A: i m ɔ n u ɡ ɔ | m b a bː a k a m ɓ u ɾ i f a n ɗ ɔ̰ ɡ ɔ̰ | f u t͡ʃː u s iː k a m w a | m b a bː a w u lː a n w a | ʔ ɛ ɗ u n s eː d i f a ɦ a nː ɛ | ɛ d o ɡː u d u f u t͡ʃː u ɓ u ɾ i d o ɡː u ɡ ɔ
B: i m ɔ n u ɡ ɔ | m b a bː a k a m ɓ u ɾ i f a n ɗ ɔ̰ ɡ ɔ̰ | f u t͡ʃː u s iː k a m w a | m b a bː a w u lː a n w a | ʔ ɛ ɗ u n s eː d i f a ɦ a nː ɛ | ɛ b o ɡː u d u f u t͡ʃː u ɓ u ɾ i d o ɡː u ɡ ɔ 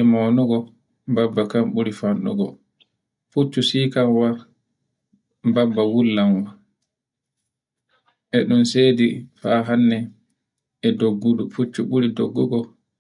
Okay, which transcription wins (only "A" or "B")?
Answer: A